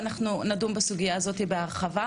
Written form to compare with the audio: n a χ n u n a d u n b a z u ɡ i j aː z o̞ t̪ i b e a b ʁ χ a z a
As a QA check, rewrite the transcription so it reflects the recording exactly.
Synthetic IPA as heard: n a χ n u n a d u m b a s u ɡ i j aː z o̞ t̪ i b e a ʁ χ a v a